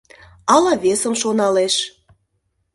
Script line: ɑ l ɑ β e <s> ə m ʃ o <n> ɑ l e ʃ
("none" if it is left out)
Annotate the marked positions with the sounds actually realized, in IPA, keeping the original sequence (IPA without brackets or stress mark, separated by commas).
s, n